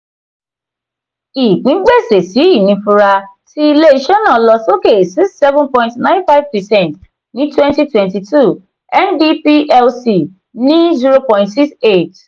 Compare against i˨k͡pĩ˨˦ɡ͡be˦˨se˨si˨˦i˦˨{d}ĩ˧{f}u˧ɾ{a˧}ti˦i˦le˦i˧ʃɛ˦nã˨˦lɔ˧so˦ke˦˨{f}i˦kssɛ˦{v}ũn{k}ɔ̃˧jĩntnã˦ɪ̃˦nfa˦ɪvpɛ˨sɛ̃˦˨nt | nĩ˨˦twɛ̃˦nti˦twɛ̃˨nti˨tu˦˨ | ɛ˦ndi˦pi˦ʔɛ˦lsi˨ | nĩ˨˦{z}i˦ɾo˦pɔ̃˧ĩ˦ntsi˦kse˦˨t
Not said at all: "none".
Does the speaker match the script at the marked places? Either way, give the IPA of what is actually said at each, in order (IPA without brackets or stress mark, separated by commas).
n, f, a˧, s, v, p, z